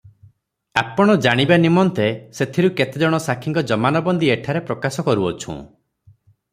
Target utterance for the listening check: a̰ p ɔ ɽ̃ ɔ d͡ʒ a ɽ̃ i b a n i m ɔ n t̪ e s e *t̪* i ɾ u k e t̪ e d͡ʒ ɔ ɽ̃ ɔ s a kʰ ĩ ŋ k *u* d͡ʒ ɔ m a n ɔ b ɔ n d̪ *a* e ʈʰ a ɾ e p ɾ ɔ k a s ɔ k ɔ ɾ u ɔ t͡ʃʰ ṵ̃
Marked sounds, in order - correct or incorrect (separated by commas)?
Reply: incorrect, incorrect, incorrect